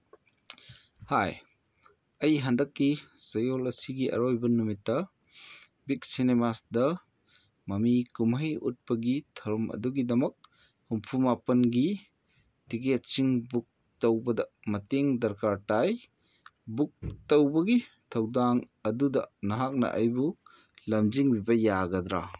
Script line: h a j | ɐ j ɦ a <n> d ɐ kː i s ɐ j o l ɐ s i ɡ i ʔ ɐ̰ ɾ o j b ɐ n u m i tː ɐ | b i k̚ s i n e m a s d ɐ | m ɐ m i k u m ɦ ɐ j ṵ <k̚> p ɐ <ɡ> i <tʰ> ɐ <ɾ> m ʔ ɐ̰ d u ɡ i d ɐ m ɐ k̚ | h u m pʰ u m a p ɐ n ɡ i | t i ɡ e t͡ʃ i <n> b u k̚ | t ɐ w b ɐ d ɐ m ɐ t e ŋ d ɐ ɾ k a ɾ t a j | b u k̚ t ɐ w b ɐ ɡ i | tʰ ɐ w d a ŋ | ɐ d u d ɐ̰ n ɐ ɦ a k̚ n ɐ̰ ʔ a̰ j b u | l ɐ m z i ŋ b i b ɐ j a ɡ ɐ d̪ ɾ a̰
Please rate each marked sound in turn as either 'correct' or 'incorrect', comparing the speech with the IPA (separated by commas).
correct, incorrect, correct, correct, correct, incorrect